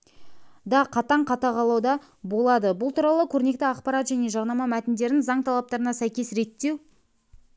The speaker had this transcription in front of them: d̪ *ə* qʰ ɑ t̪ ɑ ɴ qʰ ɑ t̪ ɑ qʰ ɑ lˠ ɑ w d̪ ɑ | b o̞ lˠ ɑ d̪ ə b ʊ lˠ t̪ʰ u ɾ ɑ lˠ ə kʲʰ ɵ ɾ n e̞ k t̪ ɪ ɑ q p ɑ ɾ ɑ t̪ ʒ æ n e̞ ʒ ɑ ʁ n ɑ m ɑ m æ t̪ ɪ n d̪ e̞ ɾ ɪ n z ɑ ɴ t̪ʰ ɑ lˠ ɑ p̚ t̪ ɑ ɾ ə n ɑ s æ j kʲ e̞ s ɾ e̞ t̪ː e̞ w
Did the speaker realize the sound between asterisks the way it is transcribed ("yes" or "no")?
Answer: no